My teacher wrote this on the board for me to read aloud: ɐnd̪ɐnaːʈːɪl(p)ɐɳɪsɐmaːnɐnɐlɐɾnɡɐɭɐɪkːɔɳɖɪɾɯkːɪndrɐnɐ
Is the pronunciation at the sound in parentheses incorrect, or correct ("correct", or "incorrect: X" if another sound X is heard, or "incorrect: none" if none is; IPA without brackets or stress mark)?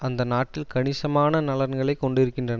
incorrect: k